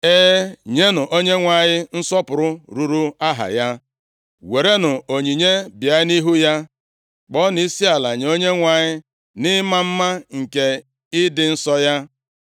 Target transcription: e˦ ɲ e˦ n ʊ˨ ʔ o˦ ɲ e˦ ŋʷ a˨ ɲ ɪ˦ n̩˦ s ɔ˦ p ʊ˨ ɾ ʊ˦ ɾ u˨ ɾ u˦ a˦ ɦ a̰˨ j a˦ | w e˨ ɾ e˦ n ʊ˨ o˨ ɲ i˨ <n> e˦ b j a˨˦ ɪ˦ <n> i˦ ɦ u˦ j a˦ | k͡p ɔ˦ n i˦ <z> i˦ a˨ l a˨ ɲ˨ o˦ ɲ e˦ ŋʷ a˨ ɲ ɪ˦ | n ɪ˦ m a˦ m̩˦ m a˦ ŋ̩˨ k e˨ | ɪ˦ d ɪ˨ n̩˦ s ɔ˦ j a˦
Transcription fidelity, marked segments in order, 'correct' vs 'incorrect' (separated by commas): incorrect, correct, incorrect